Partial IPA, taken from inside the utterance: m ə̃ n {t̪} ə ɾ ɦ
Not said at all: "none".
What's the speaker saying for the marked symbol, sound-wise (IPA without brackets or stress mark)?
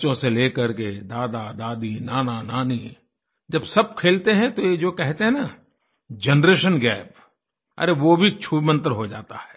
t̪